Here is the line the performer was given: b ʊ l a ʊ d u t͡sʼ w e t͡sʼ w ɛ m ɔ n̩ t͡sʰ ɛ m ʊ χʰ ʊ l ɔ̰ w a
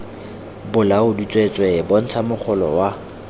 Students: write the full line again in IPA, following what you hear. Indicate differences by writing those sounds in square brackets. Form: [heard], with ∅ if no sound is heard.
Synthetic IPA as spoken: b ʊ l a ʊ d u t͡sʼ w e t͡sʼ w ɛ [b] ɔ n̩ t͡sʰ [a] m ʊ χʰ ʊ l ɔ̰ w a